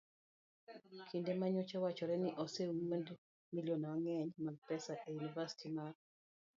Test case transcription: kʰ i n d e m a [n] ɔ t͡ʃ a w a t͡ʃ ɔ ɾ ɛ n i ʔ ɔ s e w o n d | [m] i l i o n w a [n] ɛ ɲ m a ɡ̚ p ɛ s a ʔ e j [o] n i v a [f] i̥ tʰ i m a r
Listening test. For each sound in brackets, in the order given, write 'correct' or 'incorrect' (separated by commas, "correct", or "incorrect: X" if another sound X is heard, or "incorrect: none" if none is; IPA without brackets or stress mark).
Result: incorrect: ɲ, correct, incorrect: ŋ, incorrect: u, incorrect: s